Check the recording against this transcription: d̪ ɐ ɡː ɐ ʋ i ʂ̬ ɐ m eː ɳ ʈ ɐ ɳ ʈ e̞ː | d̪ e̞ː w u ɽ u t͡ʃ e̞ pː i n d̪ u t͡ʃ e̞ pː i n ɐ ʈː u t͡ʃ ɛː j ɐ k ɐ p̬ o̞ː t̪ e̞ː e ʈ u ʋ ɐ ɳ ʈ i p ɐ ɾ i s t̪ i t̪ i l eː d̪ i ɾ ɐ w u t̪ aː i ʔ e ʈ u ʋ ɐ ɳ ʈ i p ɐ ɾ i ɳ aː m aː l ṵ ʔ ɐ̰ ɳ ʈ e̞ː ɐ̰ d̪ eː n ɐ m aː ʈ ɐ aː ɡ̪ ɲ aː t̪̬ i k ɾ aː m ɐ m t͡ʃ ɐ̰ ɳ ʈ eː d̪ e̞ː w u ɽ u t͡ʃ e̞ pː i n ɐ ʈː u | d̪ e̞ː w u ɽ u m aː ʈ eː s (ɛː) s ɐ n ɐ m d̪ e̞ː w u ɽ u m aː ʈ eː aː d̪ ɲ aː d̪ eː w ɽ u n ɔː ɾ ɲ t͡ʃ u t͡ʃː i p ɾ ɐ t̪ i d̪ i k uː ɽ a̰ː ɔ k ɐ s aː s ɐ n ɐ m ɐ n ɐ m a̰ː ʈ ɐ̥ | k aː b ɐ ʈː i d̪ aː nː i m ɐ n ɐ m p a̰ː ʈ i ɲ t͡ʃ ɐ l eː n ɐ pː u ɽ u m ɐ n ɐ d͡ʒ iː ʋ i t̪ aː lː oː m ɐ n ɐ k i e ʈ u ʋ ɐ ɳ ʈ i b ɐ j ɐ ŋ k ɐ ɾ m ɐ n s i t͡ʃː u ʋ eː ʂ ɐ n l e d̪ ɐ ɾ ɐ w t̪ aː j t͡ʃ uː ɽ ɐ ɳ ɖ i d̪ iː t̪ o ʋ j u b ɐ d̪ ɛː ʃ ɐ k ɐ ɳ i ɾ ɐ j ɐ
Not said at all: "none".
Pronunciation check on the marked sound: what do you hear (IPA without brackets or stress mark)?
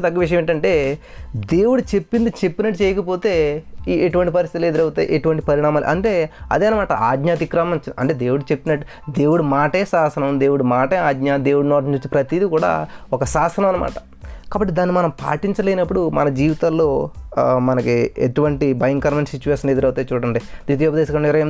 aː